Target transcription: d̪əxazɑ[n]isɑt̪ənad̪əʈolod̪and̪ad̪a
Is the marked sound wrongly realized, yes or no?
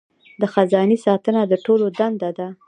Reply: no